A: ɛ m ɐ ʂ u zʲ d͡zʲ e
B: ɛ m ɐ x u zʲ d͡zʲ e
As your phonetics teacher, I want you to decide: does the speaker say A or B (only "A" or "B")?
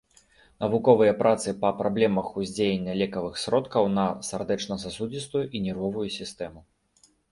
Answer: B